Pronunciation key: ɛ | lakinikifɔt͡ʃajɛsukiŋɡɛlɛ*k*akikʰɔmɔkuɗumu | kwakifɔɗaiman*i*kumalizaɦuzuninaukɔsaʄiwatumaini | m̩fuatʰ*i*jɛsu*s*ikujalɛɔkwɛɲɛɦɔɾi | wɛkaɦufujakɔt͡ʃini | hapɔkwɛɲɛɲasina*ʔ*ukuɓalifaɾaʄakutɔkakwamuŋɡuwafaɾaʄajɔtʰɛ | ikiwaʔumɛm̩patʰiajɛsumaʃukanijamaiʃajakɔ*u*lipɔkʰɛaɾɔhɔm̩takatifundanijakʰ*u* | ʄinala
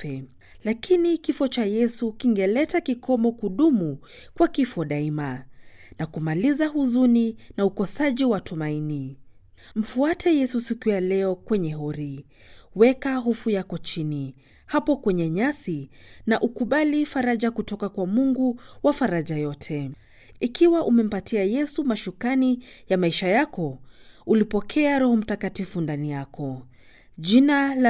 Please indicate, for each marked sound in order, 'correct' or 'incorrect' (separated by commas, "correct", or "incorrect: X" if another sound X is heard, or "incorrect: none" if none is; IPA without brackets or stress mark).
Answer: incorrect: t, incorrect: a, incorrect: ɛ, correct, correct, correct, incorrect: ɔ